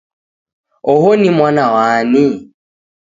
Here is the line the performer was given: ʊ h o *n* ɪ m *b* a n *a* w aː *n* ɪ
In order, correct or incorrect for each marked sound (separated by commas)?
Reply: correct, incorrect, correct, correct